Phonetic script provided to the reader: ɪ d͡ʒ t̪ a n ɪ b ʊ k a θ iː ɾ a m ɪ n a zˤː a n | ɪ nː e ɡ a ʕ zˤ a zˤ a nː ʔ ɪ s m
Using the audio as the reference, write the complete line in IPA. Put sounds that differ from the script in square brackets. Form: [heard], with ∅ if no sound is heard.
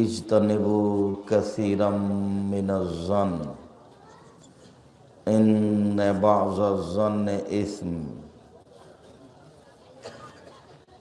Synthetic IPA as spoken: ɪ d͡ʒ t̪ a n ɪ b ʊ k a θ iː ɾ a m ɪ n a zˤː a n | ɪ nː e [b] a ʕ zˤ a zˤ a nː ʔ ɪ s m